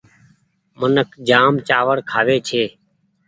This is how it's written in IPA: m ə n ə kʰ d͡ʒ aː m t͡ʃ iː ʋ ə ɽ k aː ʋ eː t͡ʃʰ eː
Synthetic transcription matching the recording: m ə n ə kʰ d͡ʒ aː m t͡ʃ aː ʋ ə ɽ kʰ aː ʋ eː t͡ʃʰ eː